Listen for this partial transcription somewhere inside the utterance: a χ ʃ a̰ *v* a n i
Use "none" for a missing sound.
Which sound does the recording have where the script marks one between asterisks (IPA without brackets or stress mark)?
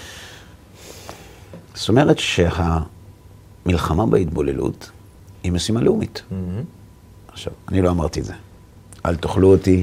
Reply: v